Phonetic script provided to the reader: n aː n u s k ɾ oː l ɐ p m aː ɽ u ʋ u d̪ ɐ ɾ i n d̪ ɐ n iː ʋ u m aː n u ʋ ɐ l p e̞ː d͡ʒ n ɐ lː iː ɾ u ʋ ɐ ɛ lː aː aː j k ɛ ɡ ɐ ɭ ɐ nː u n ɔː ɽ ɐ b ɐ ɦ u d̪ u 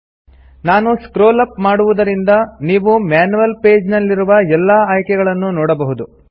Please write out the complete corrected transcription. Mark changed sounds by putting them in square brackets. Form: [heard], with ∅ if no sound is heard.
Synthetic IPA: n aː n u s k ɾ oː l ɐ p m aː ɽ u ʋ u d̪ ɐ ɾ i n d̪ ɐ n iː ʋ u m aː n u ʋ ɐ l p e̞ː d͡ʒ n ɐ lː [i] ɾ u ʋ ɐ ɛ lː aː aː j k ɛ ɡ ɐ ɭ ɐ nː u n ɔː ɽ ɐ b ɐ ɦ u d̪ u

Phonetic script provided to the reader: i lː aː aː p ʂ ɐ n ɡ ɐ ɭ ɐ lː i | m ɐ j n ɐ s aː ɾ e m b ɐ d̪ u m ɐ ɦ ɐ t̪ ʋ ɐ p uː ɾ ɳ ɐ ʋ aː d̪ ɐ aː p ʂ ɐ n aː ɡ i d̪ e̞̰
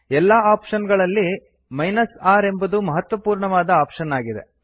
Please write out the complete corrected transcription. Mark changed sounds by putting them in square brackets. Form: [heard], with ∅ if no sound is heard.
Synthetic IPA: [ɛ] lː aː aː p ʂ ɐ n ɡ ɐ ɭ ɐ lː i | m ɐ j n ɐ s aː ɾ e m b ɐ d̪ u m ɐ ɦ ɐ t̪ ʋ ɐ p uː ɾ ɳ ɐ ʋ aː d̪ ɐ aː p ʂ ɐ n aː ɡ i d̪ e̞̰

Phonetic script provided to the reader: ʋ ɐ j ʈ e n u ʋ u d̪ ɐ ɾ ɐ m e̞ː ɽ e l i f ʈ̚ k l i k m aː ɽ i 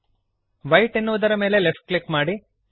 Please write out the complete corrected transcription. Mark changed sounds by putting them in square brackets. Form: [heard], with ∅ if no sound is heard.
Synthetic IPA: ʋ ɐ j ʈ e [nː] u ʋ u d̪ ɐ ɾ ɐ m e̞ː [l] e l [e] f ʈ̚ k l i k m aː ɽ i

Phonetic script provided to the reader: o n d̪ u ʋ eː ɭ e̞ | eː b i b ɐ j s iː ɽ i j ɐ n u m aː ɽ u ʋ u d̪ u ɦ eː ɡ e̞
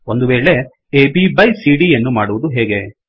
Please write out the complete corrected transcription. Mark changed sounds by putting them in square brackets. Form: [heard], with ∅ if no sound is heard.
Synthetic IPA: o n d̪ u ʋ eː ɭ e̞ | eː b i b ɐ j s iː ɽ i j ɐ [nː] u m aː ɽ u ʋ u d̪ u ɦ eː ɡ e̞

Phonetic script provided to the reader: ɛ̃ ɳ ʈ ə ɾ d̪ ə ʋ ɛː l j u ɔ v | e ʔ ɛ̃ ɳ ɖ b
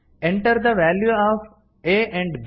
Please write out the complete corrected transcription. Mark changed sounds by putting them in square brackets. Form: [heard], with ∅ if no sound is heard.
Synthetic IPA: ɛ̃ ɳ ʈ ə ɾ d̪ ə ʋ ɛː l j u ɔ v | e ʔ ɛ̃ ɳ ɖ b

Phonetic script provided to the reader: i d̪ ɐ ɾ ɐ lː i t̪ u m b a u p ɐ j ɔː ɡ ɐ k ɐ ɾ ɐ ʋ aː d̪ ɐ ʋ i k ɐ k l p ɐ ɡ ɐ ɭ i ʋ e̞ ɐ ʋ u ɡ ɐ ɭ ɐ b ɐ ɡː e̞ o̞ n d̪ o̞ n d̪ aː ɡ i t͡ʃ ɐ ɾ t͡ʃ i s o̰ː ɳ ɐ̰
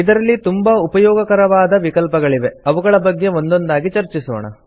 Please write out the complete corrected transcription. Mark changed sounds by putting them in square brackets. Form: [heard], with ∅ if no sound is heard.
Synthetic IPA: i d̪ ɐ ɾ ɐ lː i t̪ u m b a u p ɐ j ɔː ɡ ɐ k ɐ ɾ ɐ ʋ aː d̪ ɐ ʋ i k ɐ [∅] l p ɐ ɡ ɐ ɭ i ʋ e̞ ɐ ʋ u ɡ ɐ ɭ ɐ b ɐ ɡː e̞ o̞ n d̪ o̞ n d̪ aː ɡ i t͡ʃ ɐ ɾ t͡ʃ i s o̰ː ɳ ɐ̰

